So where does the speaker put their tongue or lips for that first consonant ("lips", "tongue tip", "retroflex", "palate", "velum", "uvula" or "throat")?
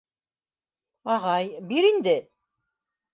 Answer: uvula